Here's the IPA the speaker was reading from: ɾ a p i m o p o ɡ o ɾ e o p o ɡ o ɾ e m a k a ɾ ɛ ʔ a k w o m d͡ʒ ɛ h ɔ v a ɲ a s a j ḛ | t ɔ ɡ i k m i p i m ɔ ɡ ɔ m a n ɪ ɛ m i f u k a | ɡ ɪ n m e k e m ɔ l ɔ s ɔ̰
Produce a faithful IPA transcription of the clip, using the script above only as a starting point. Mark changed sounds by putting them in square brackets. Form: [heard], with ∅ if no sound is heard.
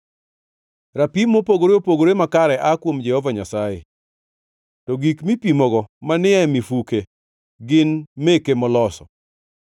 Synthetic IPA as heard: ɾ a p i m o p o ɡ o ɾ e o p o ɡ o ɾ e m a k a ɾ ɛ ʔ a k w o m d͡ʒ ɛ h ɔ v a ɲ a s a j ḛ | t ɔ ɡ i k m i p i m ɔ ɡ ɔ m a n ɪ ɛ m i f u k [e] | ɡ ɪ n m e k e m ɔ l ɔ s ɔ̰

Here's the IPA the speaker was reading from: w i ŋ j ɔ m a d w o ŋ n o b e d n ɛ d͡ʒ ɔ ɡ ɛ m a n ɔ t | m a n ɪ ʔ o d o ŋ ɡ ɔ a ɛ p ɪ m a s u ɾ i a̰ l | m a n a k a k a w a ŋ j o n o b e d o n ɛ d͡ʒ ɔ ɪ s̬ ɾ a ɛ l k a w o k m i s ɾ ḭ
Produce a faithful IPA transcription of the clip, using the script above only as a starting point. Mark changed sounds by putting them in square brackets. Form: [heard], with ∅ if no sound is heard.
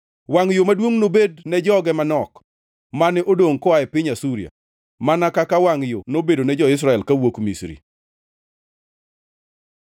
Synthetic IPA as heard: w [a] ŋ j [o] m a d w o ŋ n o b e d n ɛ d͡ʒ ɔ ɡ ɛ m a n ɔ [k] | m a n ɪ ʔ o d o ŋ [k] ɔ a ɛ p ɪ [ɲ] a s u ɾ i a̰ [∅] | m a n a k a k a w a ŋ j o n o b e d o n ɛ d͡ʒ ɔ ɪ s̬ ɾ a ɛ l k a w o k m i s ɾ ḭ

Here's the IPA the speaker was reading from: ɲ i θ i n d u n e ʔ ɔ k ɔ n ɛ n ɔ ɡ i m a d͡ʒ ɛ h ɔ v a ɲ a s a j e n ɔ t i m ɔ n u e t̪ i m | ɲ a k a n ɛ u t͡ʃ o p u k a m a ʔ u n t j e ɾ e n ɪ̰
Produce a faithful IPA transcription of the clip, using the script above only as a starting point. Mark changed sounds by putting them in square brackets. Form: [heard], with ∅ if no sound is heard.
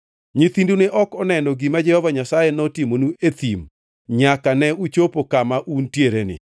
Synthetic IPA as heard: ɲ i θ i n d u n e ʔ ɔ k ɔ n ɛ n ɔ ɡ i m a d͡ʒ ɛ h ɔ v a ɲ a s a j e n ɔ t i m [o] n u e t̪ i m | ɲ a k a n ɛ u t͡ʃ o p [o] k a m a ʔ u n t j e ɾ e n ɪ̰

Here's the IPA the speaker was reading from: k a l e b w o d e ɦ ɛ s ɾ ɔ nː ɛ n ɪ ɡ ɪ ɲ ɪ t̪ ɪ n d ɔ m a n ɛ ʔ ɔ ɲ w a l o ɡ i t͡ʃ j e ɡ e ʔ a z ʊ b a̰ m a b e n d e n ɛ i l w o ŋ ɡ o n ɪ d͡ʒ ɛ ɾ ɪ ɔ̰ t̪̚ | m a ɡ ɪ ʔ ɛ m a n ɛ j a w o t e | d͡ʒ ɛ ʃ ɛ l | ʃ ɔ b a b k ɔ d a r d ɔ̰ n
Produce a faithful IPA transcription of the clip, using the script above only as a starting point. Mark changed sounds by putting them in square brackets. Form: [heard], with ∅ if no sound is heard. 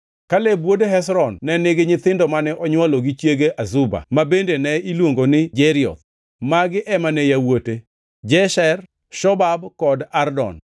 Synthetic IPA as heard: k a l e b w o d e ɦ ɛ s ɾ ɔ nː ɛ n ɪ ɡ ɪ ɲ ɪ t̪ ɪ n d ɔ m a n ɛ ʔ ɔ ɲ w a l o ɡ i t͡ʃ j e ɡ e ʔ a z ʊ b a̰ m a b e n d e n ɛ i l w o ŋ ɡ o n ɪ d͡ʒ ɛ ɾ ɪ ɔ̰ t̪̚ | m a ɡ ɪ ʔ ɛ m a n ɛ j a w o t e | d͡ʒ ɛ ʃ ɛ [r] | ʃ ɔ b a b k ɔ d a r d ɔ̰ n

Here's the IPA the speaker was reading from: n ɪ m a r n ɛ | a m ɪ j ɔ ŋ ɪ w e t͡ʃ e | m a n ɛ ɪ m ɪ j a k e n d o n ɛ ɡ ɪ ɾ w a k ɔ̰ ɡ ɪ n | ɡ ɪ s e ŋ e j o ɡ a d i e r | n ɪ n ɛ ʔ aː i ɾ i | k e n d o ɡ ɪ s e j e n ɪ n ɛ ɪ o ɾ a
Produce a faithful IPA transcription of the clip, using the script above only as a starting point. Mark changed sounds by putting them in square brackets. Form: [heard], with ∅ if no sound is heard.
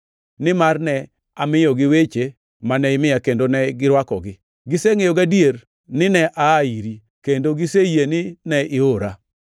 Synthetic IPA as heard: n ɪ m a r n ɛ | a m ɪ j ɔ [ɡ] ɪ w e t͡ʃ e | m a n ɛ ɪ m ɪ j a k e n d o n ɛ ɡ ɪ ɾ w a k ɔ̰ ɡ ɪ [∅] | ɡ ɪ s e ŋ e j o ɡ a d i e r | n ɪ n ɛ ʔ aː i ɾ i | k e n d o ɡ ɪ s e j e n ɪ n ɛ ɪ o ɾ a

